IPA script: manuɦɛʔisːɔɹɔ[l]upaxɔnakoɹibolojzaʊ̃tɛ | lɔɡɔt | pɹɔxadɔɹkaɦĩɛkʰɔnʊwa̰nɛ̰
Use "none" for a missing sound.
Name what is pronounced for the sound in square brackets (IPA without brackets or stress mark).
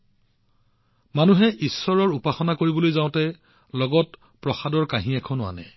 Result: ɹ